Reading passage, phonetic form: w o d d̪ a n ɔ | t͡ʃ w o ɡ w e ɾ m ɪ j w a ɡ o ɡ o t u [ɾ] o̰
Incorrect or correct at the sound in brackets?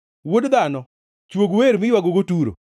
correct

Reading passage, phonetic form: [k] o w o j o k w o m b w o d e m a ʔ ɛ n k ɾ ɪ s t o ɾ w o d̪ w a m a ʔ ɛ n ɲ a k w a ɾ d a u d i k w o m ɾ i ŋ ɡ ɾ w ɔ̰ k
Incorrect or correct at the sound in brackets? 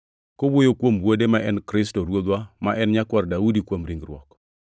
correct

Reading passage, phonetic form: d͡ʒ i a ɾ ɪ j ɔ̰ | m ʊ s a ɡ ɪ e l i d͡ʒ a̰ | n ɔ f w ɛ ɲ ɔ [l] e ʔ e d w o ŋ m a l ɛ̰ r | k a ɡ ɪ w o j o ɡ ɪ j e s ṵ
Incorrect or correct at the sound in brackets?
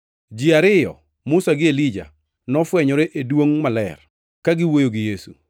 incorrect: ɾ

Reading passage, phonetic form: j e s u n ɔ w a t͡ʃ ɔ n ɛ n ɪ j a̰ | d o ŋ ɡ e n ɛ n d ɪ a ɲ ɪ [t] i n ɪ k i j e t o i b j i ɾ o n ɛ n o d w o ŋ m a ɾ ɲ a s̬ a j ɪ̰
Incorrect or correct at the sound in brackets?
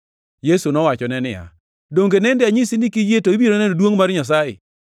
incorrect: s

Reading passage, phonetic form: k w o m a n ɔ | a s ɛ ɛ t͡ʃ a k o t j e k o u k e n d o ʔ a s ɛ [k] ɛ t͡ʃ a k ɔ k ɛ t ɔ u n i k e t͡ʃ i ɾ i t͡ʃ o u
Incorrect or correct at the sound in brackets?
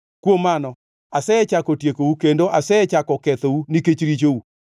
incorrect: none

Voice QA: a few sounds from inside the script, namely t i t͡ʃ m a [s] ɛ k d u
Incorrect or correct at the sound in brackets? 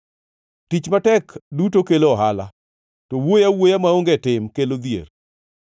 incorrect: t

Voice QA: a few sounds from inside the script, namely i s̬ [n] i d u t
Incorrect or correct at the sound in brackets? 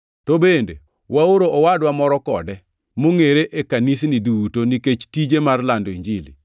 correct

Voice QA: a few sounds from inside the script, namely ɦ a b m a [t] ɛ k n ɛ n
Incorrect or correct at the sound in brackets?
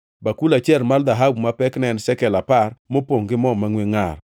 incorrect: p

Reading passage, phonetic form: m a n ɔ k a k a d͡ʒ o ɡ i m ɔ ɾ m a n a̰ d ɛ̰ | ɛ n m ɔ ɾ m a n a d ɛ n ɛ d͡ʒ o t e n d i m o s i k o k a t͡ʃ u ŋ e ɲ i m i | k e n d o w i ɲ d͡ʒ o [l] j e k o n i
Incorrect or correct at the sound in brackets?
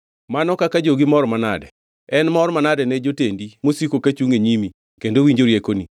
incorrect: ɾ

